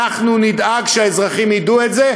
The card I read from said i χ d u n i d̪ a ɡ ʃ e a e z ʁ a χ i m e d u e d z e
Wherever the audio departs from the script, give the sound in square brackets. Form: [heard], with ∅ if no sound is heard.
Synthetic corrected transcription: [a] χ [n] u n i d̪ a ɡ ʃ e a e z ʁ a χ i m [i] d u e [t] z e